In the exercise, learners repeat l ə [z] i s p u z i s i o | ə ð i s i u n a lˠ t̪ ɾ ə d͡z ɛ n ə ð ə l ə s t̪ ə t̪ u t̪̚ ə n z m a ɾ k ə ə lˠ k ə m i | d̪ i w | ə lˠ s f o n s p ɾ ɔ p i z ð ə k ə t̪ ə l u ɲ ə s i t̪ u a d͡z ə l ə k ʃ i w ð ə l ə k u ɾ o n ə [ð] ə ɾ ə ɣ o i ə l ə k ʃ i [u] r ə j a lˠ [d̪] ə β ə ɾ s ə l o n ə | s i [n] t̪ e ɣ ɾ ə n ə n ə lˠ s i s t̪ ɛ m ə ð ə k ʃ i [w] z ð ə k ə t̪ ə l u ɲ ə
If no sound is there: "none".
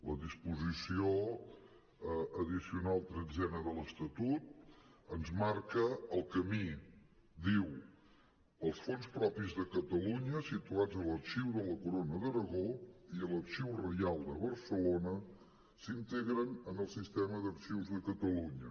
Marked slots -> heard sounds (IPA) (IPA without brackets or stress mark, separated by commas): ð, ð, w, d̪, n, w